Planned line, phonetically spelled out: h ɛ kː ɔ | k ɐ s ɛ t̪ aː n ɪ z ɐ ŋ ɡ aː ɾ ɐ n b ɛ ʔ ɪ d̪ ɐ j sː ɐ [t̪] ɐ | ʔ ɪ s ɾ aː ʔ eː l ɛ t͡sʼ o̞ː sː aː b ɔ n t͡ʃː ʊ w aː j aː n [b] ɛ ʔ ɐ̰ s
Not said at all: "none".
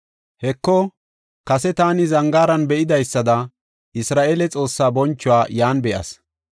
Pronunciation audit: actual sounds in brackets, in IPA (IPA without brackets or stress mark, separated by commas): d̪, b